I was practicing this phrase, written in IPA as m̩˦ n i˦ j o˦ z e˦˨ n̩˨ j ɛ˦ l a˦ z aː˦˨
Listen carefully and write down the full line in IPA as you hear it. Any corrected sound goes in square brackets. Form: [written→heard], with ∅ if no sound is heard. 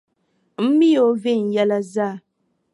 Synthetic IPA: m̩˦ [n→m] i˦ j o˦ [z→v] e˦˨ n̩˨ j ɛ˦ l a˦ z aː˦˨